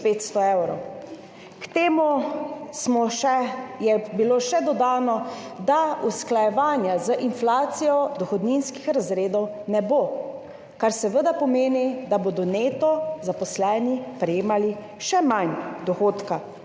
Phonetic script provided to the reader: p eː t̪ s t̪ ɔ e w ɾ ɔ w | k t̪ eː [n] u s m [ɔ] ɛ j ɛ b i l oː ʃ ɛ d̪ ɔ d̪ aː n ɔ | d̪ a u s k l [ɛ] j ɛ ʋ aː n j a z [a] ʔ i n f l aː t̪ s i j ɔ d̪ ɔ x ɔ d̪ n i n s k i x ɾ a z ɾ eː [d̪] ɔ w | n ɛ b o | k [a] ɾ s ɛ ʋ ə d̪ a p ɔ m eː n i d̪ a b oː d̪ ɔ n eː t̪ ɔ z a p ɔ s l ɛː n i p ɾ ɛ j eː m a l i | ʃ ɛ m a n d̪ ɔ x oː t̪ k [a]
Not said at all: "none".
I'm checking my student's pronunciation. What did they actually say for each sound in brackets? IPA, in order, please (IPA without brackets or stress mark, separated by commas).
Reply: m, ɔ, a, ə, d̪, a, a